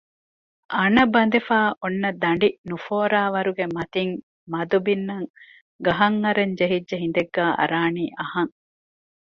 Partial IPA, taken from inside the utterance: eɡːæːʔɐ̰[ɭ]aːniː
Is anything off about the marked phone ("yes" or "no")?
yes